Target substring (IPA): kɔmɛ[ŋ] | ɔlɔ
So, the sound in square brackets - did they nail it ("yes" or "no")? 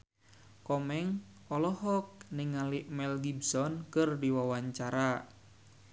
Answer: yes